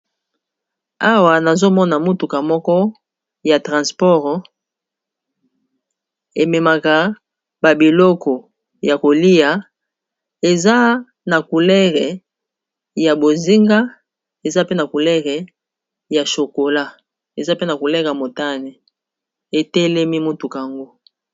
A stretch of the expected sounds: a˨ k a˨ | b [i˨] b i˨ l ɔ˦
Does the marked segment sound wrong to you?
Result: yes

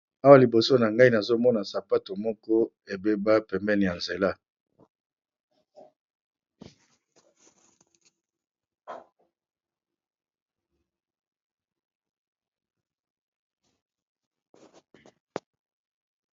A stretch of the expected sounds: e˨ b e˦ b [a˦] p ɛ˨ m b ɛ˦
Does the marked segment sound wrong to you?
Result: no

